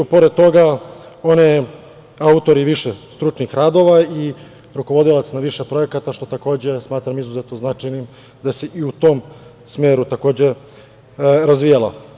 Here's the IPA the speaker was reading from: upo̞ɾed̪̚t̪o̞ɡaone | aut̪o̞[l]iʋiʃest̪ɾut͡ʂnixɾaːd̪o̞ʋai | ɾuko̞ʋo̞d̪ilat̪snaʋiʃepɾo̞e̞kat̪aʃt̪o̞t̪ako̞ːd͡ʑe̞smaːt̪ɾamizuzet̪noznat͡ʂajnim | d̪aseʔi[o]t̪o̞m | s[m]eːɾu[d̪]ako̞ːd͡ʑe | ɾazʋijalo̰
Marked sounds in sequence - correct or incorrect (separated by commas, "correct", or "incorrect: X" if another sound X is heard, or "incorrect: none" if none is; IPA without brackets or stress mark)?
incorrect: ɾ, incorrect: u, correct, incorrect: t̪